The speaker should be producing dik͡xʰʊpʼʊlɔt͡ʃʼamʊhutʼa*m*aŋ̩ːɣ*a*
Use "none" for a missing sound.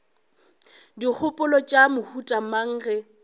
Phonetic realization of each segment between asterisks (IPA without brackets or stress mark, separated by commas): m, ɛ